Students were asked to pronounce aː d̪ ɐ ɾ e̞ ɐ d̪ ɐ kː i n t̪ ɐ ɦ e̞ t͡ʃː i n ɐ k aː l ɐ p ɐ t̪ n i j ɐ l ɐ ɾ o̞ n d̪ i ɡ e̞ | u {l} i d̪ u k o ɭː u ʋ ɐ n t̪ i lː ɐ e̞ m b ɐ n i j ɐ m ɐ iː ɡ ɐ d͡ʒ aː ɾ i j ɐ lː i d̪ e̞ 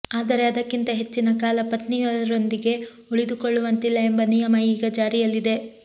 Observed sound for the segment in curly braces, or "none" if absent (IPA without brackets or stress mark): ɭ